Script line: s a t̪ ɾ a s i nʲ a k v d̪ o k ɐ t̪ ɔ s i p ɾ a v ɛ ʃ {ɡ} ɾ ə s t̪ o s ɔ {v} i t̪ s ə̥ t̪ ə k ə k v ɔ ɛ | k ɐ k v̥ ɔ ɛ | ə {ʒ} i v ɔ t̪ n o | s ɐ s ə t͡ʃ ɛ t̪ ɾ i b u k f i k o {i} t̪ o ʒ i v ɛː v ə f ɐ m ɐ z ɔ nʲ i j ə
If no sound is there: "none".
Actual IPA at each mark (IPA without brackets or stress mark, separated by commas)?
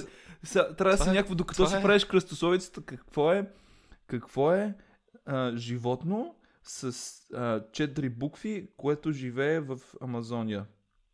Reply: k, v, ʒ, ɛ